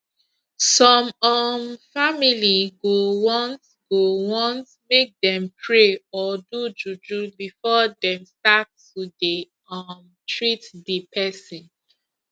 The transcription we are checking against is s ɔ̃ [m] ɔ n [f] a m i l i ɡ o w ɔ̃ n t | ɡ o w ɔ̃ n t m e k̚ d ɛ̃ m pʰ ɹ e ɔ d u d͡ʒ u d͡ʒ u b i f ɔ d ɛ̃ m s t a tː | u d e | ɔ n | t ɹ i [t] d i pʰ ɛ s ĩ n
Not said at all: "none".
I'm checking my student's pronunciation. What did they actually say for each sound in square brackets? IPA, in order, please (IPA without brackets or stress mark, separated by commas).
m, f, t